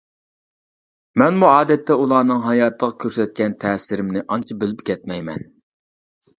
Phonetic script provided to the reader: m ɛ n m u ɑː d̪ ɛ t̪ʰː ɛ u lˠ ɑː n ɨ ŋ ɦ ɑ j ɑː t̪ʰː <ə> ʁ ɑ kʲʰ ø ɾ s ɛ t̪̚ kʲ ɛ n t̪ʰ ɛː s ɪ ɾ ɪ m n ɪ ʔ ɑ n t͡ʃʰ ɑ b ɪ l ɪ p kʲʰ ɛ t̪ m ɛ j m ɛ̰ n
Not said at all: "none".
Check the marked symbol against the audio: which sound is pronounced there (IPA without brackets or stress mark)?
ə